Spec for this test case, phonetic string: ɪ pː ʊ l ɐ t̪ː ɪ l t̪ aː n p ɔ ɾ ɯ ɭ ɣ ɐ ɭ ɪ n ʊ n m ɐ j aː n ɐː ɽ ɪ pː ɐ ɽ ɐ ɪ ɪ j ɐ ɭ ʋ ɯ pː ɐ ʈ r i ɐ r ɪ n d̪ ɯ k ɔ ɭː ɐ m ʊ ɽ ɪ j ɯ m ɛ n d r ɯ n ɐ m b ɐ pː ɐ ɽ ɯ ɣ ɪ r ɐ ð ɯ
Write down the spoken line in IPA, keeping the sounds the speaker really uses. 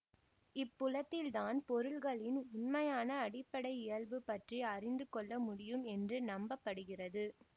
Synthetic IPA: ɪ pː ʊ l ɐ t̪ː ɪ l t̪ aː n p ɔ ɾ ɯ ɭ ɣ ɐ ɭ ɪ n ʊ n m ɐ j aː n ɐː ɽ ɪ pː ɐ ɽ ɐ ɪ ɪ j ɐ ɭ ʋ ɯ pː ɐ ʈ r i ɐ r ɪ n d̪ ɯ k ɔ ɭː ɐ m ʊ ɽ ɪ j ɯ m ɛ n d r ɯ n ɐ m b ɐ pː ɐ ɽ ɯ ɣ ɪ r ɐ ð ɯ